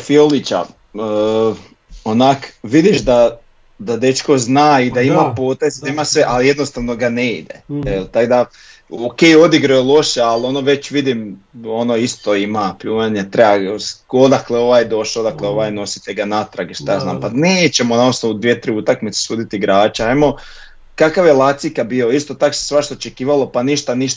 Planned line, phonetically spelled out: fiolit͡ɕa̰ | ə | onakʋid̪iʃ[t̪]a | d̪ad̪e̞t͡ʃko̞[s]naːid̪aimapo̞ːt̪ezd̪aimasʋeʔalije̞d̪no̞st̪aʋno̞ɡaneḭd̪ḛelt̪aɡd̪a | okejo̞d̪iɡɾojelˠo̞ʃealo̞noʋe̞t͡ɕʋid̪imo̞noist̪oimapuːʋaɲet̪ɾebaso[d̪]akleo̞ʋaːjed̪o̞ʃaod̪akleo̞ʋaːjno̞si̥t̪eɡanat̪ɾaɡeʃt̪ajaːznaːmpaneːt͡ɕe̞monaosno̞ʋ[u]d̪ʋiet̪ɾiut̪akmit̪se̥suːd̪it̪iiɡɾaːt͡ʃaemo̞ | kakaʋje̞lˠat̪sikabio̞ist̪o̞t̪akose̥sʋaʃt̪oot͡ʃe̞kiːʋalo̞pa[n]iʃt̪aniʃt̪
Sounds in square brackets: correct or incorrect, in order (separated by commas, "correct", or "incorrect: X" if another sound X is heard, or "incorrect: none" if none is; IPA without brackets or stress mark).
incorrect: d̪, incorrect: z, correct, correct, correct